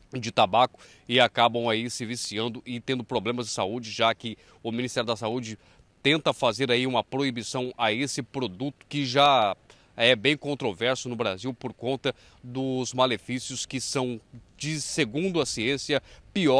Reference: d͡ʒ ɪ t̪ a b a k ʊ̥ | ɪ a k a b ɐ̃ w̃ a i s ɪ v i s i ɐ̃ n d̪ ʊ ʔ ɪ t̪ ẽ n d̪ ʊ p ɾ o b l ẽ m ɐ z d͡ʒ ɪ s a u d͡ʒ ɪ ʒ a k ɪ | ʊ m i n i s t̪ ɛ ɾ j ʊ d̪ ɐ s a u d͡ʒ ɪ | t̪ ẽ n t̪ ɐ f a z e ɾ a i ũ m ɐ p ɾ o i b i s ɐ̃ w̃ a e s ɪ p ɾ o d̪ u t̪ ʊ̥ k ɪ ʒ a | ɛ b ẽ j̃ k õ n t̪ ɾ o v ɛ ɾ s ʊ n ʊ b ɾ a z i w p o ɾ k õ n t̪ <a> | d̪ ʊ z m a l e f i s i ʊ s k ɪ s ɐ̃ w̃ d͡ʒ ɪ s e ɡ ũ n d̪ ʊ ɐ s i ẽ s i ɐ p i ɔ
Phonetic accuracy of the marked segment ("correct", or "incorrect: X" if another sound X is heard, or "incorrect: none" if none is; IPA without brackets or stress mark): incorrect: ɐ